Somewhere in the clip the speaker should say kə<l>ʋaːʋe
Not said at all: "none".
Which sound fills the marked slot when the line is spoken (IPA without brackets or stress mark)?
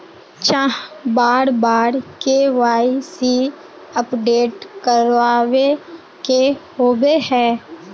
ɾ